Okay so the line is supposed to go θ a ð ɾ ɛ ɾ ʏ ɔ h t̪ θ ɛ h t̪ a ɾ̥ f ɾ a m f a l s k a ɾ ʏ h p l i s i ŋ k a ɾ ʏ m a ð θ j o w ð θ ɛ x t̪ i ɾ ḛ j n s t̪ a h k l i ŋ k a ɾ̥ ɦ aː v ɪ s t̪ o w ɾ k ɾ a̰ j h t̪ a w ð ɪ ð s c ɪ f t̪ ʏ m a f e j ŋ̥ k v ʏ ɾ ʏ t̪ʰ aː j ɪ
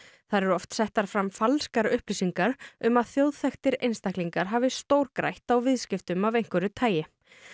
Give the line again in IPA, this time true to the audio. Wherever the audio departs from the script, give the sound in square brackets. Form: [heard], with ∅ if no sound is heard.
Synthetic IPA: θ a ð ɾ ɛ ɾ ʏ ɔ [f] t̪ [s] ɛ h t̪ a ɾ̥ f ɾ a m f a l s k a ɾ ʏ h p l i s i ŋ k a ɾ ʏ m a ð θ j o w ð θ ɛ x t̪ [ɪ] ɾ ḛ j n s t̪ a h k l i ŋ k a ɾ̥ ɦ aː v ɪ s t̪ o w ɾ k ɾ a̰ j h t̪ a w [v] ɪ ð s c ɪ f t̪ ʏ m a [v] e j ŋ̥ k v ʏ ɾ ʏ t̪ʰ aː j ɪ